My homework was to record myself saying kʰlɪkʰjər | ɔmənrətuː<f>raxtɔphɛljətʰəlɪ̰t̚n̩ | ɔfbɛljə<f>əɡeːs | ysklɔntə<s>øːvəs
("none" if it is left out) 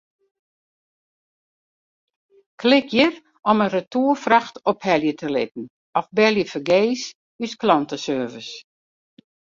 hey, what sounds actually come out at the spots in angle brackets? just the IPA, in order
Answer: f, f, s

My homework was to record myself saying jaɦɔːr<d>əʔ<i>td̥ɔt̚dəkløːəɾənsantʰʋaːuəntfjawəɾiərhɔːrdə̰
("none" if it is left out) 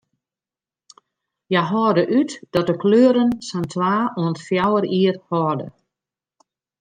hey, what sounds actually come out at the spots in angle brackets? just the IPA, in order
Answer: d, y

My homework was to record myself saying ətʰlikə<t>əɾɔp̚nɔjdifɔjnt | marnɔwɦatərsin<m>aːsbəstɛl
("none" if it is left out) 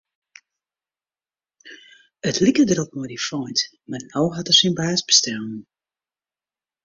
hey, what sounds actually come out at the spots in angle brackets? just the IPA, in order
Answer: d, b

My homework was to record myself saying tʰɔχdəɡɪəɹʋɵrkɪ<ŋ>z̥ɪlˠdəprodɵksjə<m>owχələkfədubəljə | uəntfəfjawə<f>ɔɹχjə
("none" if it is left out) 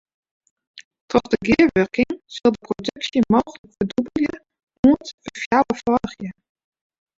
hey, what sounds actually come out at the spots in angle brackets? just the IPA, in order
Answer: ŋ, m, f

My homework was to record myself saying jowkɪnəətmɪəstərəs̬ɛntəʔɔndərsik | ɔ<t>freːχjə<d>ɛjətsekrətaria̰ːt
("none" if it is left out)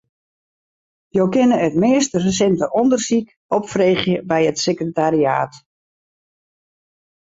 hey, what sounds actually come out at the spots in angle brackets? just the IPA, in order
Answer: p, b

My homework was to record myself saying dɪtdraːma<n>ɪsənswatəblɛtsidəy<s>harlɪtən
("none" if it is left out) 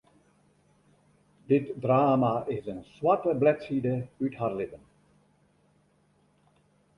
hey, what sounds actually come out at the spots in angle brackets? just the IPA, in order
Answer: none, t

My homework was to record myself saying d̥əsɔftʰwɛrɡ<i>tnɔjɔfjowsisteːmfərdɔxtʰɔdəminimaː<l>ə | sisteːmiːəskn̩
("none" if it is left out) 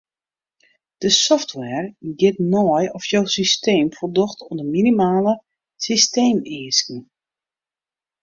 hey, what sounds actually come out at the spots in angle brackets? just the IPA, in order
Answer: ɪ, l

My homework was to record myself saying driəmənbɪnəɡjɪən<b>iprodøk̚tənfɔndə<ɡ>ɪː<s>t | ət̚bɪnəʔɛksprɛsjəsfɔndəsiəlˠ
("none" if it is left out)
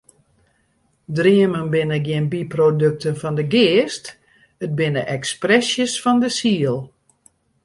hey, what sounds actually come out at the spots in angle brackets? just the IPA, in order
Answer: b, ɡ, s

